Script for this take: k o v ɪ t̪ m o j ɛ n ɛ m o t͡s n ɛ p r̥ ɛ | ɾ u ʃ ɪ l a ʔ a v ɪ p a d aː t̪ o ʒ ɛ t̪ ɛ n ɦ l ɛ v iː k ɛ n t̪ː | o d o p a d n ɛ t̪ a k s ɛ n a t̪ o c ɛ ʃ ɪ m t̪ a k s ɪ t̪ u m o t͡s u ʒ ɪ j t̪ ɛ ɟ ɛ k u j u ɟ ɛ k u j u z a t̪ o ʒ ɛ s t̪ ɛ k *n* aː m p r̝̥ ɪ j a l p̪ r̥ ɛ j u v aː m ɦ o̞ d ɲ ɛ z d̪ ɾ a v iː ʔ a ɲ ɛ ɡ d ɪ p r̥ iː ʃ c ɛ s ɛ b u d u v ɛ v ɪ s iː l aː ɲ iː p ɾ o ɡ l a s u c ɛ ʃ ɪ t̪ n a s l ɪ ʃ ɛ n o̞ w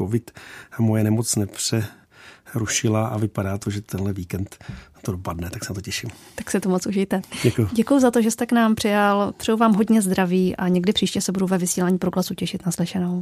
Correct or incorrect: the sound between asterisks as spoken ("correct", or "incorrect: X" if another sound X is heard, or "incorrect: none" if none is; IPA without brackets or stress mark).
correct